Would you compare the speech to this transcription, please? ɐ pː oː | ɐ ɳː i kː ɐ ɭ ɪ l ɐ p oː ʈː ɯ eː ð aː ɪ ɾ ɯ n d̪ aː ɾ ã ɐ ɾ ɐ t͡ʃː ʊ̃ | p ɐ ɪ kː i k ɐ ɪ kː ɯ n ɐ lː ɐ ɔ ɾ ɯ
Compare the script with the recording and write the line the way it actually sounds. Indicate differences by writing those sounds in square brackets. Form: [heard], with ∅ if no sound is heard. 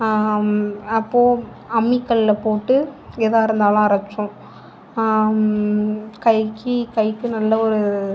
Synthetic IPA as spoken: ɐ pː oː | ɐ [mː] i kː ɐ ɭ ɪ l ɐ p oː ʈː ɯ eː ð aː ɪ ɾ ɯ n d̪ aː [l] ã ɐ ɾ ɐ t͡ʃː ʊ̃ | [k] ɐ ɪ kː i k ɐ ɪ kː ɯ n ɐ lː ɐ ɔ ɾ ɯ